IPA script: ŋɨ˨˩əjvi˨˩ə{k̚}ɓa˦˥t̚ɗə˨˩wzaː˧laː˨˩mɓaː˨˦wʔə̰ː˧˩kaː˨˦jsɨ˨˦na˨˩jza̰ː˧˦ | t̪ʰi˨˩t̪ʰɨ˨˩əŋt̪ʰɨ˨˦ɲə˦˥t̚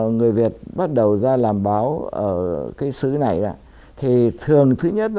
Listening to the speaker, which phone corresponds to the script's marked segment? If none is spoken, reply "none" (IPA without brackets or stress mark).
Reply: t̚